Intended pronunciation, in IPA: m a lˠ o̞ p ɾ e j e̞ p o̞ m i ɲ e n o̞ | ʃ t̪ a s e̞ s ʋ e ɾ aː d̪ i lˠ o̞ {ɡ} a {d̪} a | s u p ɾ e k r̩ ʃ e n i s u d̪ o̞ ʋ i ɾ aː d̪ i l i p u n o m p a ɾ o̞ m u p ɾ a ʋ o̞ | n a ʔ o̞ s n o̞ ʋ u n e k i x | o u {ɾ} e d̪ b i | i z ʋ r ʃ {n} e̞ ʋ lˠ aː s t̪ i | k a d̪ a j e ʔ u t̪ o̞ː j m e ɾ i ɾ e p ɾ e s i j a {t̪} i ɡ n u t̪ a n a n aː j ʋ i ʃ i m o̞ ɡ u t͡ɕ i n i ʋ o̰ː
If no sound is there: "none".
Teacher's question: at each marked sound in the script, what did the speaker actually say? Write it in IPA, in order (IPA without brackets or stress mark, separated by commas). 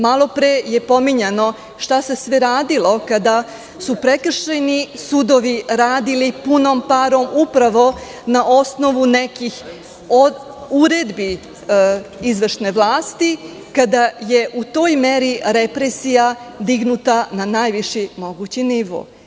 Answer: k, d̪, ɾ, n, d̪